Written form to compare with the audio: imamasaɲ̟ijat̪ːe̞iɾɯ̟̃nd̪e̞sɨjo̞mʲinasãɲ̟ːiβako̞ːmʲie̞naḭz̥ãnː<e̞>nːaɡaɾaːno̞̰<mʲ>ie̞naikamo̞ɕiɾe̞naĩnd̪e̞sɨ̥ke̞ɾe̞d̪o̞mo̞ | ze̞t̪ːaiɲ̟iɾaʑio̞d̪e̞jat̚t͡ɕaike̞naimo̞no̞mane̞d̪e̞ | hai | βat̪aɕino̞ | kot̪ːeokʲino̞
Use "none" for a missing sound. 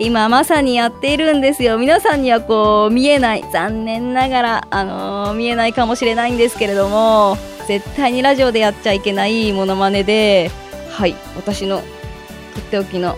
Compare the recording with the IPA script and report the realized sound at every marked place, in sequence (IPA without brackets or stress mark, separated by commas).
ẽ̞, mʲ